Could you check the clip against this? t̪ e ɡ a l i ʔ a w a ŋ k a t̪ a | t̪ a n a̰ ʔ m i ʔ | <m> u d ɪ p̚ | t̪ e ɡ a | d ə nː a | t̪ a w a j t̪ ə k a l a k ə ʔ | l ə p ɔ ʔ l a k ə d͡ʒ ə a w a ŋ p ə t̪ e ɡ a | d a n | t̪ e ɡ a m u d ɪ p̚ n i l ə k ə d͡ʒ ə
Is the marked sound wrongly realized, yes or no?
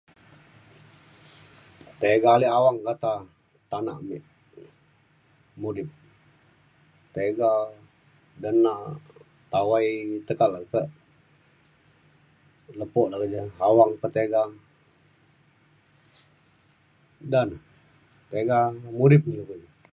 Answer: no